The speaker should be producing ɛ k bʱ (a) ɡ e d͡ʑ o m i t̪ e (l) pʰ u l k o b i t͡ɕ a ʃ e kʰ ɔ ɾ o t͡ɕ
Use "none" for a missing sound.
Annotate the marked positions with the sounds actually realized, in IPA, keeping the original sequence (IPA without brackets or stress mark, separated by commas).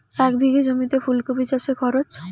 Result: i, none